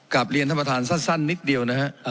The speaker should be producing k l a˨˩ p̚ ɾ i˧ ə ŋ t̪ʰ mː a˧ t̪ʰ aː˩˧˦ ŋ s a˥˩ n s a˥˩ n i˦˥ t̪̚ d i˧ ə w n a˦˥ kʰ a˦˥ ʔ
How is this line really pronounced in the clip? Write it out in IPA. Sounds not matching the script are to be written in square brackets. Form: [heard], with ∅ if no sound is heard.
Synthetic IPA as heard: k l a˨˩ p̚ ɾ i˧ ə [n] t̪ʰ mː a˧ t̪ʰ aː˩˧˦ [n] s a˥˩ n s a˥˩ [nː] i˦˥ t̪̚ d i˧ ə w n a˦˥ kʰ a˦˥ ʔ